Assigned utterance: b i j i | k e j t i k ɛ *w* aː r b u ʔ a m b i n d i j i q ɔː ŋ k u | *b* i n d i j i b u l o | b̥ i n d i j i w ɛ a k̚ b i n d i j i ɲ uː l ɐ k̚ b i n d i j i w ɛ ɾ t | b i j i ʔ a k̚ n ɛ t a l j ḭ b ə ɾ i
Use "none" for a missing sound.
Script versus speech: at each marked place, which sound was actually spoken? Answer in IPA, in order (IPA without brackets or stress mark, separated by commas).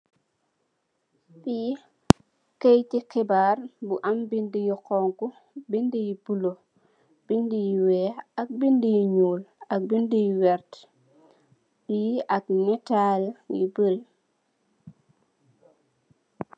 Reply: b, b